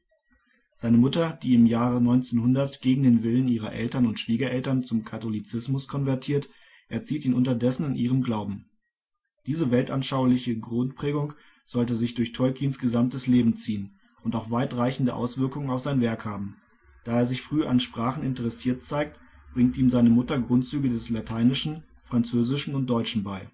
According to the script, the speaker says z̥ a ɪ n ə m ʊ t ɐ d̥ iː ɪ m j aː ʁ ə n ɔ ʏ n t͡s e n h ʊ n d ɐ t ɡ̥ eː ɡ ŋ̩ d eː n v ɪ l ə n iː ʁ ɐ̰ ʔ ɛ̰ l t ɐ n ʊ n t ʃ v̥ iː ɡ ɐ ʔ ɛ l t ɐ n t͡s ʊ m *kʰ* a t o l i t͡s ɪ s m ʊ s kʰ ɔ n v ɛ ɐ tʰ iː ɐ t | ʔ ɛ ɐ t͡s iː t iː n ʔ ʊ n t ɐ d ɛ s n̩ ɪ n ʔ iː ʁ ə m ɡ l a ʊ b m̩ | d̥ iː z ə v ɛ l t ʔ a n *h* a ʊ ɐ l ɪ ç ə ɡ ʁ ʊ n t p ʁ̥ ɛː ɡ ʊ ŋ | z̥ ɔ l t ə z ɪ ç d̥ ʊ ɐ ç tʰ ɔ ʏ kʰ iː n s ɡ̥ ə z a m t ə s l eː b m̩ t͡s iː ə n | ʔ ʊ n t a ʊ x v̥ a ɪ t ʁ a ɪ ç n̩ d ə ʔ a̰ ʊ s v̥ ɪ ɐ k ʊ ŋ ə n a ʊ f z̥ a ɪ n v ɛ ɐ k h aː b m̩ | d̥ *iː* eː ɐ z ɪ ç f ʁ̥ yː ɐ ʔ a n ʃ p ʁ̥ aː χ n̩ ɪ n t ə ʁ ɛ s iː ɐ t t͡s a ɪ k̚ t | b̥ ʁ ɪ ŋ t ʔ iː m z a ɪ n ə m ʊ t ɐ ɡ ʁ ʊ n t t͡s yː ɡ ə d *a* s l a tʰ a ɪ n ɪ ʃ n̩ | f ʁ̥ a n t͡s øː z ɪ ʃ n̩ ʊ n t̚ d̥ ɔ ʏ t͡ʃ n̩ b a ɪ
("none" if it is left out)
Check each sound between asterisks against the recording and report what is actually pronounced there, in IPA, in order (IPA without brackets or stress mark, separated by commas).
kʰ, ʃ, aː, ɛ